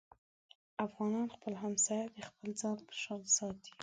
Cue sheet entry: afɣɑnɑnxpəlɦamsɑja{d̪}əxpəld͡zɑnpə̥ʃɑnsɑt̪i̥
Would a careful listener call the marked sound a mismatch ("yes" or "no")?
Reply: no